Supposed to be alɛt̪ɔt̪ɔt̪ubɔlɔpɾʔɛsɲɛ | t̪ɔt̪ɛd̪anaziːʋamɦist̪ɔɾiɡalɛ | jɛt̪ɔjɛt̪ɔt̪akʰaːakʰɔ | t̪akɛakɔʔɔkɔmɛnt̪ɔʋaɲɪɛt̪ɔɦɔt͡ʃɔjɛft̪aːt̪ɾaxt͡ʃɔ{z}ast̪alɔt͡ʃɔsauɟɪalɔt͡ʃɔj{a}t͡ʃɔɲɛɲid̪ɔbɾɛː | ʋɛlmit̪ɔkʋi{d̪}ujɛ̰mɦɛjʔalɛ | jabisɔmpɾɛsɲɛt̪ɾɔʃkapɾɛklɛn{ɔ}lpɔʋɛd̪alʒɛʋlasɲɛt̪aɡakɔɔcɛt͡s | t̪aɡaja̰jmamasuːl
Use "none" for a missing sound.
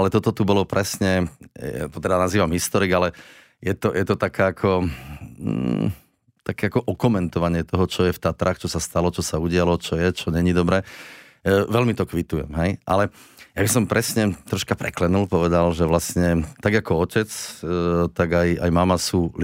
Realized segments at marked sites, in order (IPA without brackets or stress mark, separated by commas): s, ɛ, t̪, u